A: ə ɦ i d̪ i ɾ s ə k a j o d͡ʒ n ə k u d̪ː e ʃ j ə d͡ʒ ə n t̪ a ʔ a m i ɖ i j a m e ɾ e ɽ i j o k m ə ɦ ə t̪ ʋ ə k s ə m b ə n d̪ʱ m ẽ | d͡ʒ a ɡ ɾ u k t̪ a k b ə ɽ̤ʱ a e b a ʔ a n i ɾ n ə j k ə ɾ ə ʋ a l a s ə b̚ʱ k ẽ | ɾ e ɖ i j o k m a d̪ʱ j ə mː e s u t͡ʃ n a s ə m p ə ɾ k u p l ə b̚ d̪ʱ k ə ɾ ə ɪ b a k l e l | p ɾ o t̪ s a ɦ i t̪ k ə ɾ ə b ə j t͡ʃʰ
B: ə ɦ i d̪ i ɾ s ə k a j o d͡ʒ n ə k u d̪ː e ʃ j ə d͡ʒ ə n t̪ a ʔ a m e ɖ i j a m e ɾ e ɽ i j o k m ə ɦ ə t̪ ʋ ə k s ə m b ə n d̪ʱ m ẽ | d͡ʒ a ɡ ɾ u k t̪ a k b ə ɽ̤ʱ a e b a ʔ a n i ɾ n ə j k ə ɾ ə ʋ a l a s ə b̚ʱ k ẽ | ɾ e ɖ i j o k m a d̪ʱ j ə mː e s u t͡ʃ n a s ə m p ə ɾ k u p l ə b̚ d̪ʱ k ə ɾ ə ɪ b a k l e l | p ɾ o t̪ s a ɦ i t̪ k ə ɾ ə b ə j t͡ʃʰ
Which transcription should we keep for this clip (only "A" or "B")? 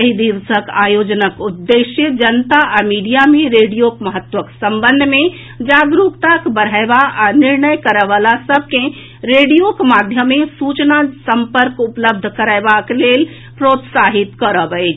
A